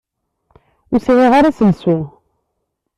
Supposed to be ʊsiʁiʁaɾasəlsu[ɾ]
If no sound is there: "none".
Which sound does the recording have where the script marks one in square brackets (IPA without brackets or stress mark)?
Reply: none